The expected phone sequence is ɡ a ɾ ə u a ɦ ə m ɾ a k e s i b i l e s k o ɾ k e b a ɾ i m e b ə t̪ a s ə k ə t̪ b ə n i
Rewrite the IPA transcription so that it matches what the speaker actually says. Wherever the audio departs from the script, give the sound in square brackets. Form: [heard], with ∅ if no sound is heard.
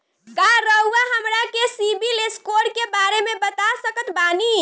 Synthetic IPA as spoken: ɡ a ɾ ə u a ɦ ə m ɾ a k e s i b i l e s k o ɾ k e b a ɾ [e] m e b ə t̪ a s ə k ə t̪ b [a] n i